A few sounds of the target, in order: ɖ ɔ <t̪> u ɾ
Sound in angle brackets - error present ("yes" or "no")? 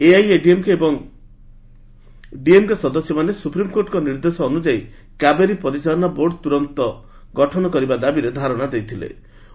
no